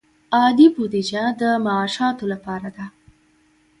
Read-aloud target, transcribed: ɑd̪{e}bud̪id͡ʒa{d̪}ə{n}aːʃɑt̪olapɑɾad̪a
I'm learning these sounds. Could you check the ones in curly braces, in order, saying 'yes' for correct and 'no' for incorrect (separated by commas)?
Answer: no, yes, no